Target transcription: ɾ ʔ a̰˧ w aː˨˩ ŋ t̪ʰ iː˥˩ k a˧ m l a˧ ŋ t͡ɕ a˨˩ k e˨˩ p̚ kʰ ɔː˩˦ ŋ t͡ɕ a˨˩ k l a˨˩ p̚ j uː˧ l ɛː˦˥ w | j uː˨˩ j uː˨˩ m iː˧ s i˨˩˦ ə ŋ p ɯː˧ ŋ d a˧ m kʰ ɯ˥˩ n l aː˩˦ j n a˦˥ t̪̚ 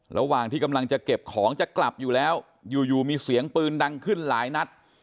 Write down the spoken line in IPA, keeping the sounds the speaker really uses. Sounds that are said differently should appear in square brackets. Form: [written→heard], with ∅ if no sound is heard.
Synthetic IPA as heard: ɾ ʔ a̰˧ w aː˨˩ ŋ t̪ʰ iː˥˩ k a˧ m l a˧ ŋ t͡ɕ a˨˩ k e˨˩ p̚ kʰ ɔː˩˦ ŋ t͡ɕ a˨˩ k l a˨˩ p̚ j [uː˧→uː˨˩] l ɛː˦˥ w | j uː˨˩ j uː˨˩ m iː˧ s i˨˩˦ ə ŋ p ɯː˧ [ŋ→n] d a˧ [m→ŋ] kʰ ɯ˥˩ n l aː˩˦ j n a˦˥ t̪̚